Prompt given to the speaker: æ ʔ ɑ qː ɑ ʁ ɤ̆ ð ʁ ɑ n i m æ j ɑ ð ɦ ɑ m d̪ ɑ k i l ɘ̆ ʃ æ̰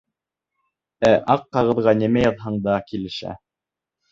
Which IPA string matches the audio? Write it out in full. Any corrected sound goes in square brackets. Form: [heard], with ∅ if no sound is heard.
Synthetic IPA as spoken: æ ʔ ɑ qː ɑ ʁ ɤ̆ ð ʁ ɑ n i m æ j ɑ ð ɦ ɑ [ɴ] d̪ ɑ k i l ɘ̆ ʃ æ̰